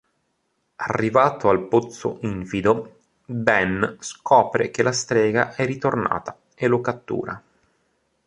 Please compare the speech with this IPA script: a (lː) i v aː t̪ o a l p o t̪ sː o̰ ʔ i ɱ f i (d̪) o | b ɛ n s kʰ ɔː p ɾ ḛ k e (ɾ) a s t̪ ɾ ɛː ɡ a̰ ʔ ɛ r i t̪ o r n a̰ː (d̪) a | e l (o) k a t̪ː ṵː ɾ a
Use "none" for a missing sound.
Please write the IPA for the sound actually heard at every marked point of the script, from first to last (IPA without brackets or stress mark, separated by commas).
rː, d̪, l, t̪, o